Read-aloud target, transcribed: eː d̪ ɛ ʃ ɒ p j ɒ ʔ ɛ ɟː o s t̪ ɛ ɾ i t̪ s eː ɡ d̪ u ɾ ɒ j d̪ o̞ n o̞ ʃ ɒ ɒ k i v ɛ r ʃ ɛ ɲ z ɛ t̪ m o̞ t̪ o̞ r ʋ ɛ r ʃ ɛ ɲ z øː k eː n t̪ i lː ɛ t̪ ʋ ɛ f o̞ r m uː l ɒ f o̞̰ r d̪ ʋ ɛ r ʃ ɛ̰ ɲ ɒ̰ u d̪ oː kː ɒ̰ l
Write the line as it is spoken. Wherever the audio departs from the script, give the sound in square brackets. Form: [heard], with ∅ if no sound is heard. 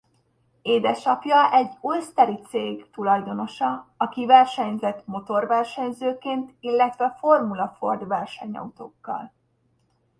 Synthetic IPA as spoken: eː d̪ ɛ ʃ ɒ p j ɒ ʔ ɛ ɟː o s t̪ ɛ ɾ i t̪ s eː ɡ [t̪] u [l] ɒ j d̪ o̞ n o̞ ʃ ɒ ɒ k i v ɛ r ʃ ɛ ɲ z ɛ t̪ m o̞ t̪ o̞ r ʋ ɛ r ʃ ɛ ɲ z øː k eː n t̪ i lː ɛ t̪ ʋ ɛ f o̞ r m [u] l ɒ f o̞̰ r d̪ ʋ ɛ r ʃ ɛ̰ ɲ ɒ̰ u [t̪] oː kː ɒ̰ l

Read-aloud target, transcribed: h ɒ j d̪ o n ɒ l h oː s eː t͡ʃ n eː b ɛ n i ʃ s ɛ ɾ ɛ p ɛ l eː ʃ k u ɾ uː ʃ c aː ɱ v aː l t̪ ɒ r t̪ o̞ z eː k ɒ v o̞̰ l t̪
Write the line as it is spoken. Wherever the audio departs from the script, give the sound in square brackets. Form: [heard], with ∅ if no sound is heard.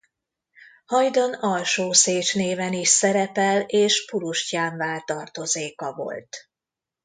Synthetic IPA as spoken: h ɒ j d̪ o n ɒ l [ʃ] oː s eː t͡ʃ n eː [v] ɛ n i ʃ s ɛ ɾ ɛ p ɛ l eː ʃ [p] u ɾ [u] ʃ c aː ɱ v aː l t̪ ɒ r t̪ o̞ z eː k ɒ v o̞̰ l t̪

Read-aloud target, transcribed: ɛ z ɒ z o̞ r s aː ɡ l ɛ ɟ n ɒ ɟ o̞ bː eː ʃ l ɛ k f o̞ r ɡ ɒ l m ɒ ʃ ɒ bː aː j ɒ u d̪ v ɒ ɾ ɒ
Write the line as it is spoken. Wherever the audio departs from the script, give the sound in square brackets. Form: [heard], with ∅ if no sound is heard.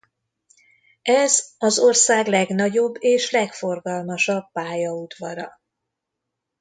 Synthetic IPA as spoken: ɛ z ɒ z o̞ r s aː ɡ l ɛ [ɡ] n ɒ ɟ o̞ bː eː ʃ l ɛ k f o̞ r ɡ ɒ l m ɒ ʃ ɒ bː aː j ɒ u d̪ v ɒ ɾ ɒ

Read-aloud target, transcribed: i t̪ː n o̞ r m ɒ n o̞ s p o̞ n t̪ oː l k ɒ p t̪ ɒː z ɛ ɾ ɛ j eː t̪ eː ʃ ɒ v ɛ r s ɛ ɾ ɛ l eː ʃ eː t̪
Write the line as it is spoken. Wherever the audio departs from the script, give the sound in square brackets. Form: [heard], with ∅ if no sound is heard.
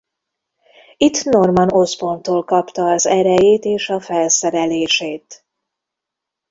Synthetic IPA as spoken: i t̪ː n o̞ r m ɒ n o̞ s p o̞ n t̪ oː l k ɒ p t̪ ɒː z ɛ ɾ ɛ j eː t̪ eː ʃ ɒ [f] ɛ [l] s ɛ ɾ ɛ l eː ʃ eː t̪

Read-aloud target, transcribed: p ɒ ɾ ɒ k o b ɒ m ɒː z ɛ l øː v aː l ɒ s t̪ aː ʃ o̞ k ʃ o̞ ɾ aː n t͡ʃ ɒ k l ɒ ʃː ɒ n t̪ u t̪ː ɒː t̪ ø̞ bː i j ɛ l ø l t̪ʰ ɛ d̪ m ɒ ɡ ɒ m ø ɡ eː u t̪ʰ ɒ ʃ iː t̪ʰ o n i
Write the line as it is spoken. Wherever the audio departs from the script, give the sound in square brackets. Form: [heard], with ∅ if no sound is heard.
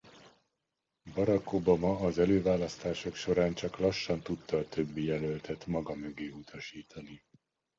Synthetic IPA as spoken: [b] ɒ ɾ ɒ k o b ɒ m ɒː z ɛ l øː v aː l ɒ s t̪ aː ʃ o̞ k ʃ o̞ ɾ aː n t͡ʃ ɒ k l ɒ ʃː ɒ n t̪ u t̪ː ɒː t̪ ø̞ bː i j ɛ l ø l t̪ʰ ɛ [t̪] m ɒ ɡ ɒ m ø ɡ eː u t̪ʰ ɒ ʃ iː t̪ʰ [ɒ] n i

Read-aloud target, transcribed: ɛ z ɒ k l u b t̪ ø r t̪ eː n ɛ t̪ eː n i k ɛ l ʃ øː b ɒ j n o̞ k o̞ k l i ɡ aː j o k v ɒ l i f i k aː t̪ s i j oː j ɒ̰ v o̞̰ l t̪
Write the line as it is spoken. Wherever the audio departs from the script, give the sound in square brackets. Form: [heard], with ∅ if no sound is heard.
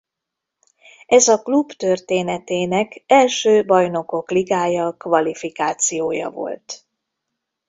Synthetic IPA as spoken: ɛ z ɒ k l u b t̪ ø r t̪ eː n ɛ t̪ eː n [ɛ] k ɛ l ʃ øː b ɒ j n o̞ k o̞ k l i ɡ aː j [ɒ] k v ɒ l i f i k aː t̪ s i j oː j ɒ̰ v o̞̰ l t̪

